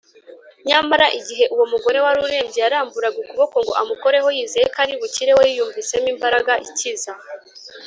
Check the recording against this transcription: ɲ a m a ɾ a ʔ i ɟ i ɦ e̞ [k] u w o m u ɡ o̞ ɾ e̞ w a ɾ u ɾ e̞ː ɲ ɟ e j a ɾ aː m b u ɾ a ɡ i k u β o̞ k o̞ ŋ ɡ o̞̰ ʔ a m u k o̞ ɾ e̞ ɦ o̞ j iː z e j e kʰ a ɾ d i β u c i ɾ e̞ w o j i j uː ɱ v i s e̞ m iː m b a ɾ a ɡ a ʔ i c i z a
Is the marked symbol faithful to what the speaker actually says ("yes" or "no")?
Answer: no